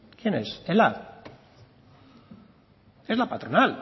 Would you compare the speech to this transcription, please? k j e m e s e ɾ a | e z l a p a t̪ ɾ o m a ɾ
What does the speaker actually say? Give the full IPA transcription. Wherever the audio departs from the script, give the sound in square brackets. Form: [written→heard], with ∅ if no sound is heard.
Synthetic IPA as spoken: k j e [m→n] e s e [ɾ→l] a | e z l a p a t̪ ɾ o [m→n] a [ɾ→l]